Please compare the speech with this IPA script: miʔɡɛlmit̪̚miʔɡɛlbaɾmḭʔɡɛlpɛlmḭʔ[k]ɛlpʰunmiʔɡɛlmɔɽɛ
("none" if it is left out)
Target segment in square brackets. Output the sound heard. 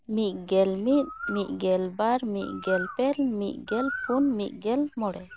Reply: ɡ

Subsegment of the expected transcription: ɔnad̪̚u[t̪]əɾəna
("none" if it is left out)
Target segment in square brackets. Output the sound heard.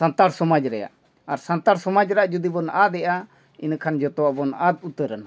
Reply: t̪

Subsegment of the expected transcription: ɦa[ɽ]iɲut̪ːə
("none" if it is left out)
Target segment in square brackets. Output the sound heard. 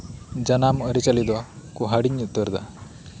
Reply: ɽ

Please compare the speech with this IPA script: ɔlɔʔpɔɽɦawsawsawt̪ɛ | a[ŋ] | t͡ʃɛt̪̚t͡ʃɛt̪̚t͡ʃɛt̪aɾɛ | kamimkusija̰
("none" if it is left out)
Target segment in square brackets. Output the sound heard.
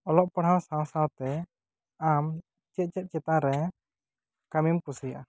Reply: m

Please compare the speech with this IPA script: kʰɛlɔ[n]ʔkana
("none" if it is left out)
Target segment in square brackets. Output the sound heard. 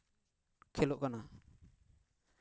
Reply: none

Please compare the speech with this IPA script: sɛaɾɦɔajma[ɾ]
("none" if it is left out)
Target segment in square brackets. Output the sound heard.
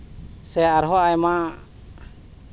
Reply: none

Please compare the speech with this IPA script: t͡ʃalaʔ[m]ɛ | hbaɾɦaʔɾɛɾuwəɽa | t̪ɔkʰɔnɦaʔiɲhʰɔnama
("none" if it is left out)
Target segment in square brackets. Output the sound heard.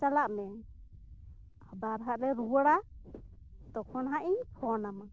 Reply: m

